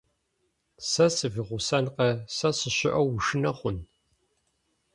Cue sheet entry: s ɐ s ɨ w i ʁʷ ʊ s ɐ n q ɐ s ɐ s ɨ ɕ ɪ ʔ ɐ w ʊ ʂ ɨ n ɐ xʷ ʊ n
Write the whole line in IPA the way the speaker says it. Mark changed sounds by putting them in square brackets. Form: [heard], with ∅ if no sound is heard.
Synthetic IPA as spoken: s ɐ s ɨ [v] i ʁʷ ʊ s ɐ n q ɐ s ɐ s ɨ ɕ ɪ ʔ ɐ w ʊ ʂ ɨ n ɐ [χʷ] ʊ n